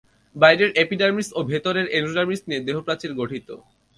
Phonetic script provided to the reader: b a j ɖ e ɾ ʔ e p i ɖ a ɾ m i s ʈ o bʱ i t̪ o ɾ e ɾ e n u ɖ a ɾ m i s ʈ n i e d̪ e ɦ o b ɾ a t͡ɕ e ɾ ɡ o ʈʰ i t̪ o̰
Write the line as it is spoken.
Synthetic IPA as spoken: b a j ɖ e ɾ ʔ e p i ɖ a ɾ m i s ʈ o bʱ e t̪ o ɾ e ɾ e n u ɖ a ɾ m i s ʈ n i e d̪ e ɦ o p ɾ a t͡ɕ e ɾ ɡ o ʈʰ i t̪ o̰